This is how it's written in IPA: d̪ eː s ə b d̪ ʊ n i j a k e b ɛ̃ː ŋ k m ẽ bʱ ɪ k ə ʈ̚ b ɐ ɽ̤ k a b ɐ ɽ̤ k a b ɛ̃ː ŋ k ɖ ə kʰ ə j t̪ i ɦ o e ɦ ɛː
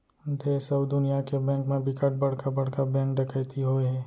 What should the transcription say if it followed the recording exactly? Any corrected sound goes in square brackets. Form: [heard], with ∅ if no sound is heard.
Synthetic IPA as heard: d̪ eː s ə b d̪ ʊ n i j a k e b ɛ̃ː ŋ k m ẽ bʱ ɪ k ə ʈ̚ b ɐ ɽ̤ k a b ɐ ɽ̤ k a b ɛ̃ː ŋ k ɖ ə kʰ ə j t̪ i ɦ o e ɦ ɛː

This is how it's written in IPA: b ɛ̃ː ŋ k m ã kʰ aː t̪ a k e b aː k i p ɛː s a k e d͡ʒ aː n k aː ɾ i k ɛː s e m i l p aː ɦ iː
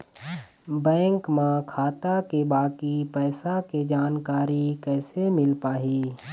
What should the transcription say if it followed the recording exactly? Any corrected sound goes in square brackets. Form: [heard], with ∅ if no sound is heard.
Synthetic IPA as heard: b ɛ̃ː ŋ k m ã kʰ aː t̪ a k e b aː k i p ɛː s a k e d͡ʒ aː n k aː ɾ i k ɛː s e m [ɪ] l p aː ɦ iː

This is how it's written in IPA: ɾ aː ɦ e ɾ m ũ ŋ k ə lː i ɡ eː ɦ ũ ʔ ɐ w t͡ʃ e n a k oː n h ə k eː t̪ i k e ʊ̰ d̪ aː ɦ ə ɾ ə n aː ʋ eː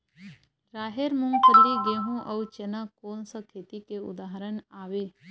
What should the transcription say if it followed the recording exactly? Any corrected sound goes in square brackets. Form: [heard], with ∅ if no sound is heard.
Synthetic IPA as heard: ɾ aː ɦ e ɾ m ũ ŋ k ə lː i ɡ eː ɦ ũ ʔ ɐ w t͡ʃ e n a k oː n [s] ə [kʰ] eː t̪ i k e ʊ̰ d̪ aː ɦ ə ɾ ə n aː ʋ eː

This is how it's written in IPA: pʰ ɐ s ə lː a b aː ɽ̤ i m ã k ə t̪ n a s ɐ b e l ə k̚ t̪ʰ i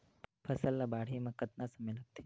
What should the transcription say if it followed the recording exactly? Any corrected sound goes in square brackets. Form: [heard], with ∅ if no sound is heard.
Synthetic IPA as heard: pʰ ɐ s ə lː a b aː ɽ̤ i m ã k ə t̪ n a s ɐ [m] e l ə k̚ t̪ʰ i

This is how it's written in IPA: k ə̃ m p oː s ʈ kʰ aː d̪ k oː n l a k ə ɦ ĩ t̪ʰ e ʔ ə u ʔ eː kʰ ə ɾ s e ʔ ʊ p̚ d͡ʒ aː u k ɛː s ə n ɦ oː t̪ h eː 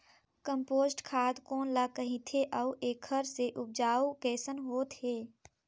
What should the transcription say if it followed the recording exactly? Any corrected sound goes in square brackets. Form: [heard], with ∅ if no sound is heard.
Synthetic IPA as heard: k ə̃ m p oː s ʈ kʰ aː d̪ k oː n l a k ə ɦ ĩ t̪ʰ e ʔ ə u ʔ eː kʰ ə ɾ s e ʔ ʊ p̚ d͡ʒ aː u k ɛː s ə n ɦ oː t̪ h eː

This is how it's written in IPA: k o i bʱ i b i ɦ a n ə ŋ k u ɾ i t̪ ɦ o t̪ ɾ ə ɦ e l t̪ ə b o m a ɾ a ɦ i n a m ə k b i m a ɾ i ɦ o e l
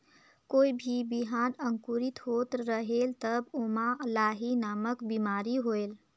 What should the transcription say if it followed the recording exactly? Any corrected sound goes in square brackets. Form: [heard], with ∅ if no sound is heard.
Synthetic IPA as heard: k o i bʱ i b i ɦ a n ə ŋ k u ɾ i t̪ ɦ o t̪ ɾ ə ɦ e l t̪ ə b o m a [l] a ɦ i n a m ə k b i m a ɾ i ɦ o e l

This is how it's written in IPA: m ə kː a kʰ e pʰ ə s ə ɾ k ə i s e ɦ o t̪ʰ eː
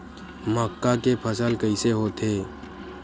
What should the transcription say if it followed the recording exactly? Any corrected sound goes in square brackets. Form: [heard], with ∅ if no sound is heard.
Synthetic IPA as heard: m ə kː a [k] e pʰ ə s ə [l] k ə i s e ɦ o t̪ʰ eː

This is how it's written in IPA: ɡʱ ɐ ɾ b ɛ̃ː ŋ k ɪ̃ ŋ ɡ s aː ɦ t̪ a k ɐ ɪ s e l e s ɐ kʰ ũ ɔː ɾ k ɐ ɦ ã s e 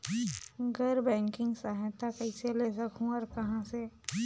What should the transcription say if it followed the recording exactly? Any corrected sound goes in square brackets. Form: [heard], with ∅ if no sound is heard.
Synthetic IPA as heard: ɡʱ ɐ ɾ b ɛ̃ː ŋ k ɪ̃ ŋ ɡ s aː ɦ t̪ a k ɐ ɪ s e l e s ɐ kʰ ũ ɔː ɾ k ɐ ɦ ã s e

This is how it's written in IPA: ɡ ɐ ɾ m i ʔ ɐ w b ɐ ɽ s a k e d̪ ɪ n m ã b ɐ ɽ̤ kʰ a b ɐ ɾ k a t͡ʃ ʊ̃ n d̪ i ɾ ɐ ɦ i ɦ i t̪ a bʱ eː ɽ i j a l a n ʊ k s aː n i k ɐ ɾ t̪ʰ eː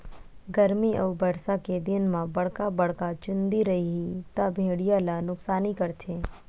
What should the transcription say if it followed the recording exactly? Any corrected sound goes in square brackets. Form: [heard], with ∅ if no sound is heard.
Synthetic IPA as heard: ɡ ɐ ɾ m i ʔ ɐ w b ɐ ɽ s a k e d̪ ɪ n m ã b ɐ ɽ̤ [k] a b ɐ [ɽ] k a t͡ʃ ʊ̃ n d̪ i ɾ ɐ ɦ i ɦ i t̪ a bʱ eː ɽ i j a l a n ʊ k s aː n i k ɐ ɾ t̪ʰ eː

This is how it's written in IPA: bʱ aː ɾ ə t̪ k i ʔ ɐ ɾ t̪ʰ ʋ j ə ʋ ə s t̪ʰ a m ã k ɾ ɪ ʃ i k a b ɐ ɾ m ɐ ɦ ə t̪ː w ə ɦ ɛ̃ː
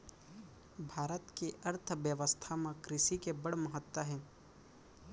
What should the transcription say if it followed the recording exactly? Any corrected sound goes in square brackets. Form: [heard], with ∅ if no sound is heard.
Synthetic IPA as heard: bʱ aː ɾ ə t̪ k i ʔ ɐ ɾ t̪ʰ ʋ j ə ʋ ə s t̪ʰ a m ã k ɾ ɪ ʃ i k [e] b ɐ [ɽ] m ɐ ɦ ə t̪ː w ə ɦ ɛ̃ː

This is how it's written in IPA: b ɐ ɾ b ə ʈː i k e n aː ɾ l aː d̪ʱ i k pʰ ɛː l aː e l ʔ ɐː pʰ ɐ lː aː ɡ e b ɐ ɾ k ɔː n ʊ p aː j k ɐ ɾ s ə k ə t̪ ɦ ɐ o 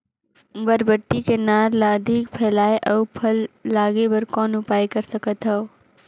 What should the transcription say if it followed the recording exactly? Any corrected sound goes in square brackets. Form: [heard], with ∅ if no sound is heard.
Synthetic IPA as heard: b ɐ ɾ b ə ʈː i k e n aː ɾ l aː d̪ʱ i k pʰ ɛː l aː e [∅] ʔ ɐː pʰ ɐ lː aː ɡ e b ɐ ɾ k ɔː n ʊ p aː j k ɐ ɾ s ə k ə t̪ ɦ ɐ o

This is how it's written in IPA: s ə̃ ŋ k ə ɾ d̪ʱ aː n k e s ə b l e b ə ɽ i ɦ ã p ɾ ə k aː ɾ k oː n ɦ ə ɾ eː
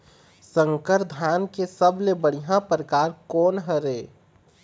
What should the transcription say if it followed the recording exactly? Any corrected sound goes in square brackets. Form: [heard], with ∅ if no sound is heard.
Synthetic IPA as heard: s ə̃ ŋ k ə ɾ d̪ʱ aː n k e s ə b l e b ə ɽ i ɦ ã p ɾ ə k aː ɾ k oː n ɦ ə ɾ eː

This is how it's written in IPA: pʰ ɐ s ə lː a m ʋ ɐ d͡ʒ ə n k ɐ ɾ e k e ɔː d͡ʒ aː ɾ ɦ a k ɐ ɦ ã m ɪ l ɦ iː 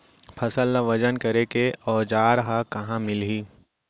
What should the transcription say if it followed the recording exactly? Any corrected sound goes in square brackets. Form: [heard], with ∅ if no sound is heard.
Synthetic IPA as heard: pʰ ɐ s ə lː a [∅] ʋ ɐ d͡ʒ ə n k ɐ ɾ e k e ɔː d͡ʒ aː ɾ ɦ a k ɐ ɦ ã m ɪ l ɦ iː

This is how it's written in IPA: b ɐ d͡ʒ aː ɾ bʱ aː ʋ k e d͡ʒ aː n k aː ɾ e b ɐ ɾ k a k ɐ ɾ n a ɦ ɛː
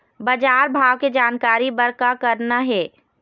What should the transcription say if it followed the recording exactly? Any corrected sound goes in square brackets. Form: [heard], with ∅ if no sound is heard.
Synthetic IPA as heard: b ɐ d͡ʒ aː ɾ bʱ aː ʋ k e d͡ʒ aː n k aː ɾ [i] b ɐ ɾ k a k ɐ ɾ n a ɦ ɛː

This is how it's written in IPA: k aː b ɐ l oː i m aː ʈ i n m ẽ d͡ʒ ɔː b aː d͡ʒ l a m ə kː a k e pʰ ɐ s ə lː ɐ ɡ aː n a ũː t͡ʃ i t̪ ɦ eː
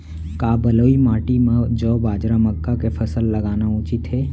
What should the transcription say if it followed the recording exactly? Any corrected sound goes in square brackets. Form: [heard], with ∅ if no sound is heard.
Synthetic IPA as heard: k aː b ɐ l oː i m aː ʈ i [∅] m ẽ d͡ʒ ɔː b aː d͡ʒ [ɾ] a m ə kː a k e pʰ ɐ s ə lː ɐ ɡ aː n a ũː t͡ʃ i t̪ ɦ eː

